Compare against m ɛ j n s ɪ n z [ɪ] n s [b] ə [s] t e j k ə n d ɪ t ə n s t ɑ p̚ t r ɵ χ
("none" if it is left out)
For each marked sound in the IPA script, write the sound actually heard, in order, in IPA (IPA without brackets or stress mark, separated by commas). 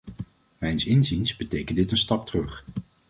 i, b, none